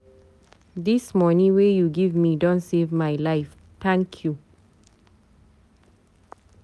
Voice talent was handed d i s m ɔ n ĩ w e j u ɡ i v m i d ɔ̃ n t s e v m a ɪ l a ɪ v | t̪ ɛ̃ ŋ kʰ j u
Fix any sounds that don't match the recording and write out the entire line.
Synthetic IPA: d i s m ɔ n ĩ w e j u ɡ i v m i d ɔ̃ n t s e v m a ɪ l a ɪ f | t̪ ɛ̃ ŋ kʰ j u